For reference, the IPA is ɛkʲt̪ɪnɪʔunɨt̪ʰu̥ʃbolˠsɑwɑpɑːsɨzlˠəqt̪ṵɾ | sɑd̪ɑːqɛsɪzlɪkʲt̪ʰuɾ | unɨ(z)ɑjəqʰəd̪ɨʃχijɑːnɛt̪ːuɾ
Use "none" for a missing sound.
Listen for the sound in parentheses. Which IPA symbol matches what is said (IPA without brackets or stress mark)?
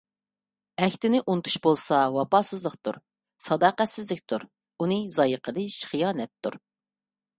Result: z